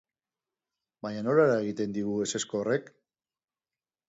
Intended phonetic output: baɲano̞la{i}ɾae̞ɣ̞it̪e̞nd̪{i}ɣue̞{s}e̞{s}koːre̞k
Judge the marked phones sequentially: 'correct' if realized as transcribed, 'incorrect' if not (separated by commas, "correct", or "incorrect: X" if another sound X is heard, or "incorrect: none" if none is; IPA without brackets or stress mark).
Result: incorrect: e, correct, correct, correct